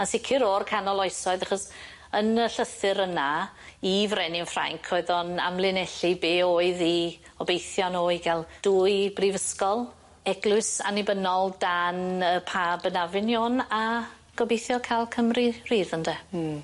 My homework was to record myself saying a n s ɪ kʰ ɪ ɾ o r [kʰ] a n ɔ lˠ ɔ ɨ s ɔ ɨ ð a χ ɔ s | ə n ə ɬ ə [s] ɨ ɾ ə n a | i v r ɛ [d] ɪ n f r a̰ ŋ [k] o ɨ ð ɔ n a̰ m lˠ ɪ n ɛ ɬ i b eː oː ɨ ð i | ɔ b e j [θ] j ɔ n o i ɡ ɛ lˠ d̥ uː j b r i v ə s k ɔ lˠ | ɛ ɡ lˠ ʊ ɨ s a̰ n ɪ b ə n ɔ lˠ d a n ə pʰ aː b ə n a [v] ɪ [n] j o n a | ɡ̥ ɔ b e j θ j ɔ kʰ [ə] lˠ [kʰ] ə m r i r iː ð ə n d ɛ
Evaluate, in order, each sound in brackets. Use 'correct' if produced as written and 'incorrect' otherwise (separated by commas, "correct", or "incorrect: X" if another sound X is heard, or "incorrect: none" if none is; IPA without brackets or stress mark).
correct, incorrect: θ, incorrect: n, incorrect: kʰ, correct, correct, correct, incorrect: a, correct